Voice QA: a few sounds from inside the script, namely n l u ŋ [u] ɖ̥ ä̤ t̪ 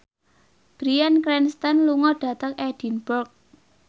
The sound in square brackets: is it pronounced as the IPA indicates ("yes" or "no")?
no